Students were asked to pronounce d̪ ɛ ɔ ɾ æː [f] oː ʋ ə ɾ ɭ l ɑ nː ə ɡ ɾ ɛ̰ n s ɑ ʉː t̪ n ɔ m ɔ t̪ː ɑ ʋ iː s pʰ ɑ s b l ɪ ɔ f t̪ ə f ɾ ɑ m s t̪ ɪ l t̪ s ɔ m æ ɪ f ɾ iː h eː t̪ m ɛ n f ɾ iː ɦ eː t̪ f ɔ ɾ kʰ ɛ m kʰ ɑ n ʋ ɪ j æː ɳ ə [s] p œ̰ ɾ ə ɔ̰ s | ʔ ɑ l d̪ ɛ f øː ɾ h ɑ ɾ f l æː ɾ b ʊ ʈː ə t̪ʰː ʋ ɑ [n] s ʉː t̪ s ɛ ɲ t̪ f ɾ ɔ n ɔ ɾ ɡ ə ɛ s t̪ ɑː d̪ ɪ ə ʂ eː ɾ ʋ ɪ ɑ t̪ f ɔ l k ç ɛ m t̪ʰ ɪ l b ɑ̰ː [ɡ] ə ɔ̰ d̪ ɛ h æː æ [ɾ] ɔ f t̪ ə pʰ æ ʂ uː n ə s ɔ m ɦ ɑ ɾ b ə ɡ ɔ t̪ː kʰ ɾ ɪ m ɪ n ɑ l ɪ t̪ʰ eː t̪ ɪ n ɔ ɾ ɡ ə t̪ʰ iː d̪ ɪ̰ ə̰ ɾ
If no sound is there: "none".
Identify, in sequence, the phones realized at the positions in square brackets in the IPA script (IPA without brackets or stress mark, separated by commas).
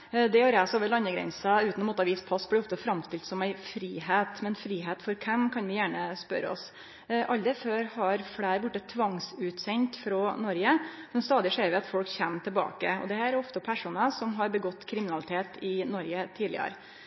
s, s, ŋ, k, ɾ